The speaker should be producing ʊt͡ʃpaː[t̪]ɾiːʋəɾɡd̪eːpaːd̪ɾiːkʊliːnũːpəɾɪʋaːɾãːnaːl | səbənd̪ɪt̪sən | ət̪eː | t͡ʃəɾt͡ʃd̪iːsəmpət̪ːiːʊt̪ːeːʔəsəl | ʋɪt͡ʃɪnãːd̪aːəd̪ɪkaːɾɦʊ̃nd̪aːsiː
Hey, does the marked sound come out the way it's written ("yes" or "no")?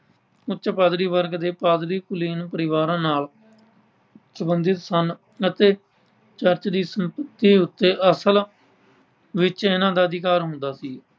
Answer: no